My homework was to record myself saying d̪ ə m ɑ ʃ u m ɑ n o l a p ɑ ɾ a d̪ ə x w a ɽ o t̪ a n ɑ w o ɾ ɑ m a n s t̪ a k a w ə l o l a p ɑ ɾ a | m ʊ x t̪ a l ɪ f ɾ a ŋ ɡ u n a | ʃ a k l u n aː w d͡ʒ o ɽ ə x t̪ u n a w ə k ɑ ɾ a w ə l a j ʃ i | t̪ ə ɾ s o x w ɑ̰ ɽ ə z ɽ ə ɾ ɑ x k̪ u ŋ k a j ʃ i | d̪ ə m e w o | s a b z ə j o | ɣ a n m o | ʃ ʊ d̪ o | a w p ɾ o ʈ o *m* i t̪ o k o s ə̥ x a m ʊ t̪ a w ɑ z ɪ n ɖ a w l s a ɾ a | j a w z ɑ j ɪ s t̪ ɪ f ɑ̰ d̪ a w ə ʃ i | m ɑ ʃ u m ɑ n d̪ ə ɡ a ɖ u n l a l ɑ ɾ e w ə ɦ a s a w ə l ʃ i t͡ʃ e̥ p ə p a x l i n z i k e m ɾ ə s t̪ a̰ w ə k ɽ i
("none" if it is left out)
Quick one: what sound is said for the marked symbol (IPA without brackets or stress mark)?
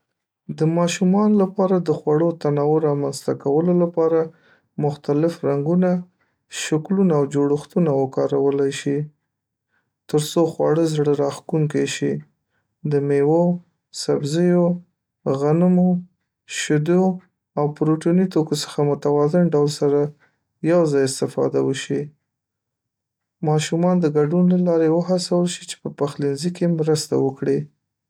n